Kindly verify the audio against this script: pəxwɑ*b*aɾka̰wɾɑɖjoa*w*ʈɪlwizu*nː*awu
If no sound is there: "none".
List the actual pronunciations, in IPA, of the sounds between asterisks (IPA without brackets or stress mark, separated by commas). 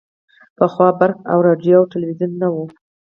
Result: b, w, nː